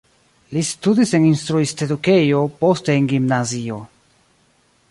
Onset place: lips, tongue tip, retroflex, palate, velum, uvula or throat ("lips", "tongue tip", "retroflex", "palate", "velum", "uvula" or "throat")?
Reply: tongue tip